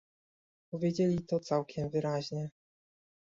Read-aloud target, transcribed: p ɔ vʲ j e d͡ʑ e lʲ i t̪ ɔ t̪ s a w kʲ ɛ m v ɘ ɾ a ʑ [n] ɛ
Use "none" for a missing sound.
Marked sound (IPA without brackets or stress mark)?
ɲ